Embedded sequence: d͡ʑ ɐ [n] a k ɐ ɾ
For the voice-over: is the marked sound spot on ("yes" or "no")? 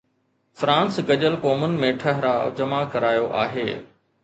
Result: no